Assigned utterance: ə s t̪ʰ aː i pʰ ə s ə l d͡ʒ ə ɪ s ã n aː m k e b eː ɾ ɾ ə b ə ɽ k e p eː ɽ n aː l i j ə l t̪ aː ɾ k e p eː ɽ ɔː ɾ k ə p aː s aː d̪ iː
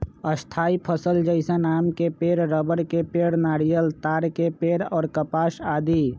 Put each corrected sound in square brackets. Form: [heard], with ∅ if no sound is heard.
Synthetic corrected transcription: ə s t̪ʰ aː i pʰ ə s ə l d͡ʒ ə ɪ s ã n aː m k e [p] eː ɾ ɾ ə b ə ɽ k e p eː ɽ n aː [ɽ] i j ə l t̪ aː ɾ k e p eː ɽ ɔː ɾ k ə p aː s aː d̪ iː